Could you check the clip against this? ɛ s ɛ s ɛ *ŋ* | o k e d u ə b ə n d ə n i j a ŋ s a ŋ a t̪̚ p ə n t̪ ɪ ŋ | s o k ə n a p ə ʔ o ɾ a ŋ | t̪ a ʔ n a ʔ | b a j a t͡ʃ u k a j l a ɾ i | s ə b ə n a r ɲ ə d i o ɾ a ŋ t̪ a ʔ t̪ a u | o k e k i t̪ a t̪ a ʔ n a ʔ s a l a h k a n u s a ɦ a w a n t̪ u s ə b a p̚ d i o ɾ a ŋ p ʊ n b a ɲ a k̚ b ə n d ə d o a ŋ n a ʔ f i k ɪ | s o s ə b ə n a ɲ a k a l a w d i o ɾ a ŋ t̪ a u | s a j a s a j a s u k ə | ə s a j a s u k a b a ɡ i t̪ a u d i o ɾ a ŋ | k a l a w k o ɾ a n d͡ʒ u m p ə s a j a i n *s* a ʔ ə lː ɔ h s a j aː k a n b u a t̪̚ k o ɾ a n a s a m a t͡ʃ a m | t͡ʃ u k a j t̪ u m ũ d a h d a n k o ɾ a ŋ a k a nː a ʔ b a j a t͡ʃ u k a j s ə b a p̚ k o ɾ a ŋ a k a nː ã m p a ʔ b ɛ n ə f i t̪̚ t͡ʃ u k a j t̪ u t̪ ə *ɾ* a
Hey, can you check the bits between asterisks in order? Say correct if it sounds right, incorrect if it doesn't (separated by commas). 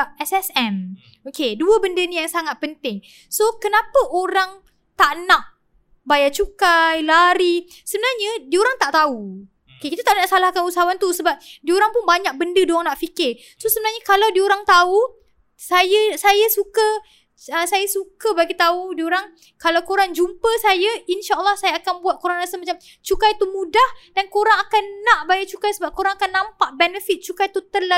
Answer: incorrect, incorrect, incorrect